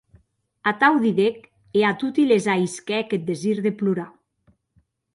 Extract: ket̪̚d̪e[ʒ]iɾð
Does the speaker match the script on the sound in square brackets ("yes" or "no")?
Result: no